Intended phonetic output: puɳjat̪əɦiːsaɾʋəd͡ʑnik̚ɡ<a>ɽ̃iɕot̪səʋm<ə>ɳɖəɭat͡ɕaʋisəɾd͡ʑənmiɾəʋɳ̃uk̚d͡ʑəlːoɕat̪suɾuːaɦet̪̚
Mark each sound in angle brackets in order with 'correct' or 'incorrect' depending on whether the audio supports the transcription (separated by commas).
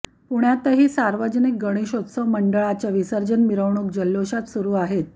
incorrect, correct